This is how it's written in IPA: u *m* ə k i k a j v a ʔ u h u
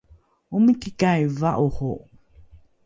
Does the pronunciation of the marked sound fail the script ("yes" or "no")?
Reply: no